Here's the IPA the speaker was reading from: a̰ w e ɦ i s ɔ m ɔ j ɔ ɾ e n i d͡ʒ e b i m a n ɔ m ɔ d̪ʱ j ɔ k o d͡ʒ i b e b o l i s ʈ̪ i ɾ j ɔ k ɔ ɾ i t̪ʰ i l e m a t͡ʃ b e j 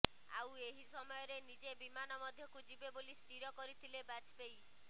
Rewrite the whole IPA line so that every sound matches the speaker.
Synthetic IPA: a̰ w e ɦ i s ɔ m ɔ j ɔ ɾ e n i d͡ʒ e b i m a n ɔ m ɔ d̪ʱ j ɔ k u d͡ʒ i b e b o l i s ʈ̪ i ɾ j ɔ k ɔ ɾ i t̪ʰ i l e b a t͡ʃ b e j